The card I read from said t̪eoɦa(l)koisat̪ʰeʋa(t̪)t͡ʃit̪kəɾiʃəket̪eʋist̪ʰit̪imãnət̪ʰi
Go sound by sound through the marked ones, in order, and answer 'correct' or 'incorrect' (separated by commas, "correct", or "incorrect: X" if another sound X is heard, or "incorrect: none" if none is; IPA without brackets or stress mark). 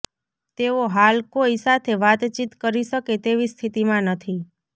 correct, correct